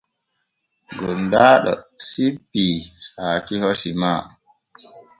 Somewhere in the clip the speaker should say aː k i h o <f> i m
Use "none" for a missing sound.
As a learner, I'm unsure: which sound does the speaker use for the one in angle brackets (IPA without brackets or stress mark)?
s